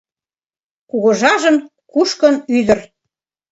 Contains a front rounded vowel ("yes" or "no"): yes